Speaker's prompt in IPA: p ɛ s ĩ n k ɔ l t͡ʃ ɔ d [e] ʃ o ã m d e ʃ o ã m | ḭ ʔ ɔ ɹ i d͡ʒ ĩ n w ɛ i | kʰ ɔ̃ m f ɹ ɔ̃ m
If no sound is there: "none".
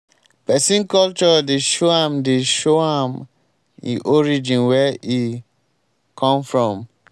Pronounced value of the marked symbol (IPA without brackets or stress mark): e